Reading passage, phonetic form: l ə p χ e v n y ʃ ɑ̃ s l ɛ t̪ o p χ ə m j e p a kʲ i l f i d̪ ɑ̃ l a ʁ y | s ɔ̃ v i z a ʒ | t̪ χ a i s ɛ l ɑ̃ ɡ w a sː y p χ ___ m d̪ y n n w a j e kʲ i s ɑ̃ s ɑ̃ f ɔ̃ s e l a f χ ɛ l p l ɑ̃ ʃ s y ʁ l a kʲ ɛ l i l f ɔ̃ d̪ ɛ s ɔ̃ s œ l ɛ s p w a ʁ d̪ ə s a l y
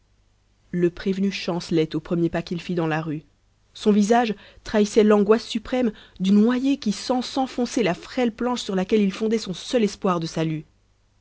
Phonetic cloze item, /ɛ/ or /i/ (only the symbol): ɛ